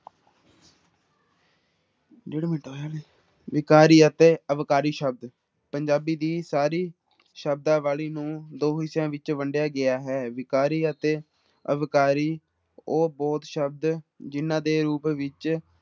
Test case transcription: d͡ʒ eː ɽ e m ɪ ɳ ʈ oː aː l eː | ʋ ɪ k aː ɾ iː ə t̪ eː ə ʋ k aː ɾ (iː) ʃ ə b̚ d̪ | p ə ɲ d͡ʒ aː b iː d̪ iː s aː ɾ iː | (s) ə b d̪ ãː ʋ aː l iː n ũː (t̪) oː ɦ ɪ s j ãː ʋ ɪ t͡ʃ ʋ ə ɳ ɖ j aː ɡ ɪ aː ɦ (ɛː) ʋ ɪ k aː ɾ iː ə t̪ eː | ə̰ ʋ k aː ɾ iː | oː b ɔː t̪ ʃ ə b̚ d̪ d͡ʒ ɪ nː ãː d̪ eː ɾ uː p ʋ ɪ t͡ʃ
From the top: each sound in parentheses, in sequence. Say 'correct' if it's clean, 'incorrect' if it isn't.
correct, incorrect, incorrect, correct

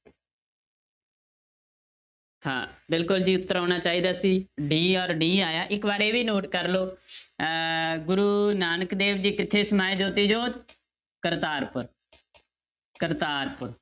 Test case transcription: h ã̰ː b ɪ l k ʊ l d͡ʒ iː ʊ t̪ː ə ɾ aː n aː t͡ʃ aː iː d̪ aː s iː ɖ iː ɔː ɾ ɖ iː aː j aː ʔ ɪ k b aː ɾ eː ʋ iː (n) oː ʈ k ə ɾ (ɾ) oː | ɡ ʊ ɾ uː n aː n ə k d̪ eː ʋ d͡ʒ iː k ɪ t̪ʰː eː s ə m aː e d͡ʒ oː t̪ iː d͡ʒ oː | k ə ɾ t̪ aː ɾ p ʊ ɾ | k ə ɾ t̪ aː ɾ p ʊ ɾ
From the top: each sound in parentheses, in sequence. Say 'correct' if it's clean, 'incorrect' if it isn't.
correct, incorrect

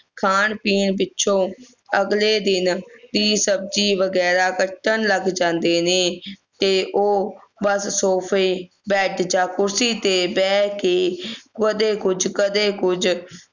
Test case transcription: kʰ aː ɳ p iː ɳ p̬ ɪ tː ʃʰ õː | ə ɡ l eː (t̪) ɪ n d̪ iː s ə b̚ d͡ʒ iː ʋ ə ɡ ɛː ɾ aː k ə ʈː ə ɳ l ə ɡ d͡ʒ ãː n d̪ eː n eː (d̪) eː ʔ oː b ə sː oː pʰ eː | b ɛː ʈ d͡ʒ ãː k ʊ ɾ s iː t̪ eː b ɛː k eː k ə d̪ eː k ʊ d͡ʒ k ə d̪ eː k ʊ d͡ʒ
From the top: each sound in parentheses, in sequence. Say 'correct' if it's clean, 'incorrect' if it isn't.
incorrect, incorrect

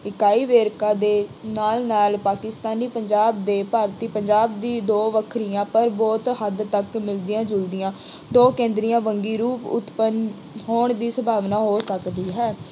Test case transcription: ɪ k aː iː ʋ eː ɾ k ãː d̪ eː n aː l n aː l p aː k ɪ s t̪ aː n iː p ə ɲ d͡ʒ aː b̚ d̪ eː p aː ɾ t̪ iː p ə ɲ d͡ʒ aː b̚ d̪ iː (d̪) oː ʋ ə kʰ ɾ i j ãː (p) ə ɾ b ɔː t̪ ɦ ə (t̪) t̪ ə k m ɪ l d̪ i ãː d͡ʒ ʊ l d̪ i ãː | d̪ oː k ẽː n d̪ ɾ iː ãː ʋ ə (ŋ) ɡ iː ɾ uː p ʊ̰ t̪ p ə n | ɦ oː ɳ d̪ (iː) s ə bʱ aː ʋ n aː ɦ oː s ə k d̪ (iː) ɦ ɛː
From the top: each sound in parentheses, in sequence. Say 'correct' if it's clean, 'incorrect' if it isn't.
correct, correct, incorrect, correct, correct, correct

